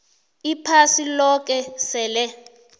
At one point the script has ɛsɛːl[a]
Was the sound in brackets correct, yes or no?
no